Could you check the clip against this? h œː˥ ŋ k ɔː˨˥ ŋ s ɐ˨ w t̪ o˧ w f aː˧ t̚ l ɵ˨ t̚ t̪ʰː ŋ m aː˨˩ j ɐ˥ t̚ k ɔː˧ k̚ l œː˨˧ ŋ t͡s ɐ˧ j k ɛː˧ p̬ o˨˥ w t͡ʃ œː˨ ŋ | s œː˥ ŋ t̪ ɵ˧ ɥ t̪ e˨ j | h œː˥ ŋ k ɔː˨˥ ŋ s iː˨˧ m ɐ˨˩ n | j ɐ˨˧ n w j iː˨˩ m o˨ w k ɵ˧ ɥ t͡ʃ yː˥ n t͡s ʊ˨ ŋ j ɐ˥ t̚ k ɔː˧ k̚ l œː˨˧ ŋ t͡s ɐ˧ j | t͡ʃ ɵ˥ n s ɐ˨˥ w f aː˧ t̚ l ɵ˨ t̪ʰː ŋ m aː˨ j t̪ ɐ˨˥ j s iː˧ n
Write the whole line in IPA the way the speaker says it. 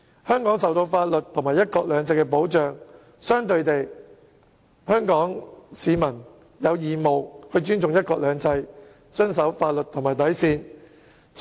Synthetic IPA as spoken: h œː˥ ŋ k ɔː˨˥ ŋ s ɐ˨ w t̪ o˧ w f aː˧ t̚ l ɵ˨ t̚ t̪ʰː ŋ m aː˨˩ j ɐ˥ t̚ k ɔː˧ k̚ l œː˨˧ ŋ t͡s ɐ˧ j k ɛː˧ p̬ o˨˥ w t͡ʃ œː˨ ŋ | s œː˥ ŋ t̪ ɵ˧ ɥ t̪ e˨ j | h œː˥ ŋ k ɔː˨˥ ŋ s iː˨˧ m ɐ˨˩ n | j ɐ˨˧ w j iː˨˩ m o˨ w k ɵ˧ ɥ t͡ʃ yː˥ n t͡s ʊ˨ ŋ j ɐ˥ t̚ k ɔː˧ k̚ l œː˨˧ ŋ t͡s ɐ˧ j | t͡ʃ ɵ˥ n s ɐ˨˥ w f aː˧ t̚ l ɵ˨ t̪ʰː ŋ m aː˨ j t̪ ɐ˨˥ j s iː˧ n